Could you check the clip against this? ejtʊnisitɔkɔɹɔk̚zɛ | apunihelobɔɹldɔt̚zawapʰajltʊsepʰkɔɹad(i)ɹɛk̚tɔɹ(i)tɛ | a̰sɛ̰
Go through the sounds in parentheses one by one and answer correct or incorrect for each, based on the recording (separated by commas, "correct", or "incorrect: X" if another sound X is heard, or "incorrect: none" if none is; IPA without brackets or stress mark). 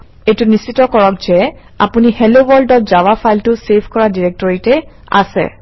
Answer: correct, correct